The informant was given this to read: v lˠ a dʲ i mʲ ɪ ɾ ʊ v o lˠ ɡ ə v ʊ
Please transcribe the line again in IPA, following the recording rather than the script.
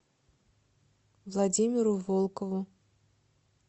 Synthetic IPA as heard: v lˠ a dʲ i mʲ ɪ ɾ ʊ v o lˠ k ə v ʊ